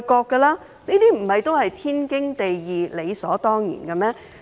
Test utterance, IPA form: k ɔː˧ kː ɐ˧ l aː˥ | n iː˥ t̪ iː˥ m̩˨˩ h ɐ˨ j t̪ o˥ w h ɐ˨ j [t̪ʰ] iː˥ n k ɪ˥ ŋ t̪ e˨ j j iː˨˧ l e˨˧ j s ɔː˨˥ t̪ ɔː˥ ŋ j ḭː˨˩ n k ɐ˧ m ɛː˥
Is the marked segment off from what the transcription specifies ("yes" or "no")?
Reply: no